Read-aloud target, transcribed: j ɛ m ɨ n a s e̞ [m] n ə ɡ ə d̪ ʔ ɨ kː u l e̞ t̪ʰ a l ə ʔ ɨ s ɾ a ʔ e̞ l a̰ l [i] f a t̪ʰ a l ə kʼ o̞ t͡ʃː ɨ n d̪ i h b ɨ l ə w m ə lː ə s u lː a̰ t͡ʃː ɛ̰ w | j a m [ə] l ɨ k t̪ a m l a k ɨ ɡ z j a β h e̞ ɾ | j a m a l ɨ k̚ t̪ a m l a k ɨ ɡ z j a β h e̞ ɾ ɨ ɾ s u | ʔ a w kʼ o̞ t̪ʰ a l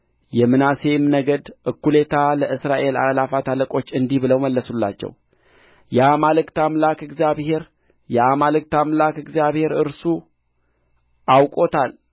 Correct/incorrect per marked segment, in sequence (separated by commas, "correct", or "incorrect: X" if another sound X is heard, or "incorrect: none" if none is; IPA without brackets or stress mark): correct, incorrect: a, incorrect: a